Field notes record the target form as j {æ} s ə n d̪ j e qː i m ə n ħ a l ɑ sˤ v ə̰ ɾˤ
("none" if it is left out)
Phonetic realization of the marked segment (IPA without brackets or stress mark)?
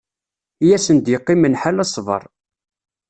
æ